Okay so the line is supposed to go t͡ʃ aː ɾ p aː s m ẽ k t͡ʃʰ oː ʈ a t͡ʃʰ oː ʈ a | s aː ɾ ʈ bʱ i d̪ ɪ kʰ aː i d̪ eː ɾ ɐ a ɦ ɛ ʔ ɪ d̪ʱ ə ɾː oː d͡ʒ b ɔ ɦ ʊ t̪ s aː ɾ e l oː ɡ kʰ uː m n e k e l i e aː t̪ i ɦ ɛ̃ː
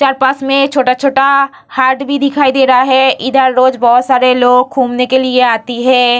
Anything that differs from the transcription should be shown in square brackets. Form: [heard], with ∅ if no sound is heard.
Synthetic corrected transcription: t͡ʃ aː ɾ p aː s m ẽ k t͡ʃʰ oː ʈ a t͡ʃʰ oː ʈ a | [h] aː ɾ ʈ bʱ i d̪ ɪ kʰ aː i d̪ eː ɾ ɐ a ɦ ɛ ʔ ɪ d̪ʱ ə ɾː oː d͡ʒ b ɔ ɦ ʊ t̪ s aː ɾ e l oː ɡ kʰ uː m n e k e l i e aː t̪ i ɦ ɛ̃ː